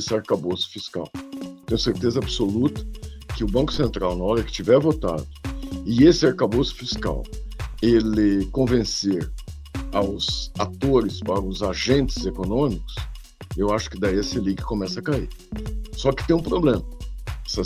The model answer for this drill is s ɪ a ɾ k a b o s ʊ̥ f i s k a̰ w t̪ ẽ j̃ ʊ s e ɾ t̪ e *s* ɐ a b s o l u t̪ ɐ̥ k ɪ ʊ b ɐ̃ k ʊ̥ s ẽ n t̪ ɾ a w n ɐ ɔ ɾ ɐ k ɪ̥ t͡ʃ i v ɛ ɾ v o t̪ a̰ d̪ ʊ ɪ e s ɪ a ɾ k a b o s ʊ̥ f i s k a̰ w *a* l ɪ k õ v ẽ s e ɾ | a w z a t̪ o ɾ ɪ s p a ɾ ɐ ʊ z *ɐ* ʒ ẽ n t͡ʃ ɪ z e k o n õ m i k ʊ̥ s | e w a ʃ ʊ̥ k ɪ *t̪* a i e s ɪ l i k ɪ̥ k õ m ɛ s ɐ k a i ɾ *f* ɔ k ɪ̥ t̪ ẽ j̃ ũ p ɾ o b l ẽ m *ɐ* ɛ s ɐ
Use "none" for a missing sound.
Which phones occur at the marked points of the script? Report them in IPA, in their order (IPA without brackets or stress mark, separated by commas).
z, e, a, d̪, s, ɐ